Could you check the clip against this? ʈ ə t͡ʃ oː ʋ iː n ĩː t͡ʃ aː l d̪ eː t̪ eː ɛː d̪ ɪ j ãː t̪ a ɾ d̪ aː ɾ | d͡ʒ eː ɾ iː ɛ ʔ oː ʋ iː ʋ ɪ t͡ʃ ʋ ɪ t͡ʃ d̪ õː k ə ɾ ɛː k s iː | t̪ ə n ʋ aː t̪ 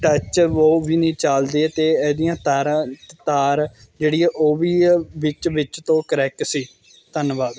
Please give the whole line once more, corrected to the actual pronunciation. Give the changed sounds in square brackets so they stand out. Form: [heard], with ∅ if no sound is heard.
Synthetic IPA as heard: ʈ ə t͡ʃ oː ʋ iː n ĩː t͡ʃ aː l d̪ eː t̪ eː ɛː d̪ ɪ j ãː t̪ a ɾ [t̪] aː ɾ | d͡ʒ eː [ɽ] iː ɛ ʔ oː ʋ iː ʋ ɪ t͡ʃ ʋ ɪ t͡ʃ [t̪] õː k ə ɾ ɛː k s iː | t̪ ə n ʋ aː [d̪]